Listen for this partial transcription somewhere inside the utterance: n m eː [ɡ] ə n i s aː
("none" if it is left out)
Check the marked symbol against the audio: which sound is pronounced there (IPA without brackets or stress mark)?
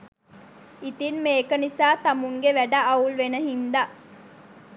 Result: k